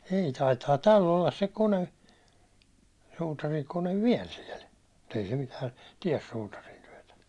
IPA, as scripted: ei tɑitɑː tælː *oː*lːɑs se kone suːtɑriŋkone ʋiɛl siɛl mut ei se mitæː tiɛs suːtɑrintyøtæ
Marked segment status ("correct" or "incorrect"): incorrect